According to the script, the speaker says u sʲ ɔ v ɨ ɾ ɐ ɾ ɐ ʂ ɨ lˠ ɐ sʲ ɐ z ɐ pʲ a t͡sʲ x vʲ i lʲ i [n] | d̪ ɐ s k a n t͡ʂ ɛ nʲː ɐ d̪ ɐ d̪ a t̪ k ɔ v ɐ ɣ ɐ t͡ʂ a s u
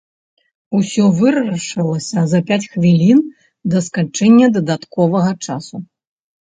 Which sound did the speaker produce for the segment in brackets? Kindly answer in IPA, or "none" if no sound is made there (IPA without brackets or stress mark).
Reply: n